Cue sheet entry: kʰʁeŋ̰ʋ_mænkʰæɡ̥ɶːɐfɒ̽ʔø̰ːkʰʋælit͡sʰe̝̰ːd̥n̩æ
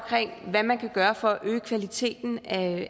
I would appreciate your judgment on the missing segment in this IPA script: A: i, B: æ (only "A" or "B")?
B